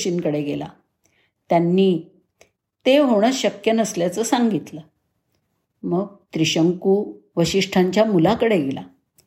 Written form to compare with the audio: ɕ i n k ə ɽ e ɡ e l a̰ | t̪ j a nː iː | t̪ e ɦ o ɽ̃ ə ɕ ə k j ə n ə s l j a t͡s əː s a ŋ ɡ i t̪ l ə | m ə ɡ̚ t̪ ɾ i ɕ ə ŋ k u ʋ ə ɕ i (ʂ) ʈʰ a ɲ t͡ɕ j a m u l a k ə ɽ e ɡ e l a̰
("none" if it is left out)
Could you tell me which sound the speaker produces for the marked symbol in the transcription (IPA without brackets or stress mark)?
ʂ